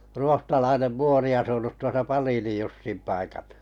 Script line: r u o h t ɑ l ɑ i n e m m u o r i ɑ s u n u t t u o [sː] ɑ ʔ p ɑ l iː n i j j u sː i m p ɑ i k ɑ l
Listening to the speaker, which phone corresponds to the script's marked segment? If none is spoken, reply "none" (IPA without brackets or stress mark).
s